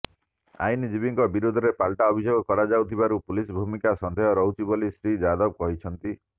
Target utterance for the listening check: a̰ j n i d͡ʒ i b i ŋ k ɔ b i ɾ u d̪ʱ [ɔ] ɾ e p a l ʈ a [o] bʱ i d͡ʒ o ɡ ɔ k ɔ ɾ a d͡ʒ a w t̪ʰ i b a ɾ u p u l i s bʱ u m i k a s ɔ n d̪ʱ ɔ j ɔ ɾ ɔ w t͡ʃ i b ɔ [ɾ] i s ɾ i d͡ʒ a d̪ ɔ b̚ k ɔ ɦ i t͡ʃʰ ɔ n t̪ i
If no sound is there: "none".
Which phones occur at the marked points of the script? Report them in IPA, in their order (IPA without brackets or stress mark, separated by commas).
ɔ, ɔ, l